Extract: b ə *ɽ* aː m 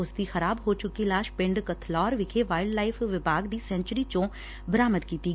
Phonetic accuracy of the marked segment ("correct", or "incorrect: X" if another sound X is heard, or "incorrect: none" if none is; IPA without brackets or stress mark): incorrect: ɾ